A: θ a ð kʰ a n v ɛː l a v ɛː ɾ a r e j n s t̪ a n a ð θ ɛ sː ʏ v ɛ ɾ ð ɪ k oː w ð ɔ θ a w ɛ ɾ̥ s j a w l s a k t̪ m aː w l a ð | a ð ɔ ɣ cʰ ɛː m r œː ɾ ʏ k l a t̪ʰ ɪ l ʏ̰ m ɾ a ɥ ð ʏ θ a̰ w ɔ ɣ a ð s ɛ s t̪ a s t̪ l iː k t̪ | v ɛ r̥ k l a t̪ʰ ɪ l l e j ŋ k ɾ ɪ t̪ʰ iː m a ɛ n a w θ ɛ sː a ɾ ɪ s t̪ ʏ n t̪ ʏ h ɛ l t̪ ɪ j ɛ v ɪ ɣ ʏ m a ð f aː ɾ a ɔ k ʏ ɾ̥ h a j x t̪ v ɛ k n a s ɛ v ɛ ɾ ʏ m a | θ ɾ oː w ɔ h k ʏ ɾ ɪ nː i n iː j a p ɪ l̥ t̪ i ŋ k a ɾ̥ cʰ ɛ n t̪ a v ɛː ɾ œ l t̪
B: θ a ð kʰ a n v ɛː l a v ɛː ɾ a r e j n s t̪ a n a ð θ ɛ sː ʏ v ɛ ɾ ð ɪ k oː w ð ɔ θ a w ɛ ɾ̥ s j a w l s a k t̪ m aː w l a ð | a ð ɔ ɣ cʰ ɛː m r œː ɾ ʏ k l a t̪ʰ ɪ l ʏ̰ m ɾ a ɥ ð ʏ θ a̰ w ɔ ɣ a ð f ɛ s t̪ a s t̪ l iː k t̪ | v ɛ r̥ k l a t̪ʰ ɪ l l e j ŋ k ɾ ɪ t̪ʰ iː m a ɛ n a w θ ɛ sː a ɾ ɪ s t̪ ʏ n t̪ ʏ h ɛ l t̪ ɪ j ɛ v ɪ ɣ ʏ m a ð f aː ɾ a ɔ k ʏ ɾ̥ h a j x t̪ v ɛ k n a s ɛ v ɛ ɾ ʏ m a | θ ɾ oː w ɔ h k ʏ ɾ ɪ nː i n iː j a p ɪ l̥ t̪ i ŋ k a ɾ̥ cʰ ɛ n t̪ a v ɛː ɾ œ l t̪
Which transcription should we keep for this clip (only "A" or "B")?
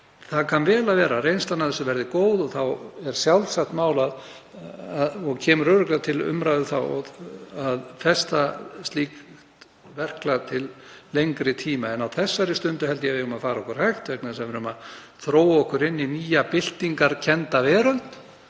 B